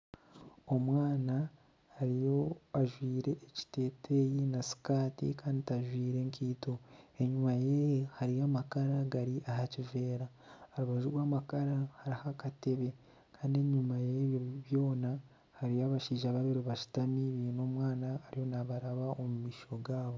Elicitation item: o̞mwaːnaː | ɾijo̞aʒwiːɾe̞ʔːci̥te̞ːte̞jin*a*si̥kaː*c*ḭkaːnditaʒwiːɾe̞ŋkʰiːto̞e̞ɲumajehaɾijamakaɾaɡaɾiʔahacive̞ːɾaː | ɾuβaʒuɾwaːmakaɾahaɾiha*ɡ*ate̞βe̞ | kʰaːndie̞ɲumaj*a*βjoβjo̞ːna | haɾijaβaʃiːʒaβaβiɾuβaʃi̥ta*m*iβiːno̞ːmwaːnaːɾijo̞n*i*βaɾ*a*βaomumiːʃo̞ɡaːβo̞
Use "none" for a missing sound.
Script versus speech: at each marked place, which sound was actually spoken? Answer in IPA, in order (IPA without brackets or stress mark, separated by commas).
a, t, k, e, m, a, a